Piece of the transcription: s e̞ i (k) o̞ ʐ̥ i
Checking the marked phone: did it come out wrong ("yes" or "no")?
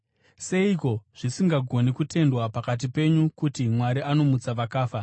no